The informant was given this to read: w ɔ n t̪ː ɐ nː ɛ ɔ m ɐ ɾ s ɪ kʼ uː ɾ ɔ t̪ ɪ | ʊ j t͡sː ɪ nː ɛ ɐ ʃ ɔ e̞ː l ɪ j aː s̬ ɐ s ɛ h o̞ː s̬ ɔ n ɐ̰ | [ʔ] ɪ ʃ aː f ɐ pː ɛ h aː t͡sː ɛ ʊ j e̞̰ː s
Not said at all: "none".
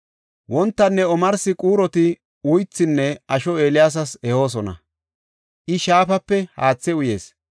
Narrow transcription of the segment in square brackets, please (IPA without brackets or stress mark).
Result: ʔ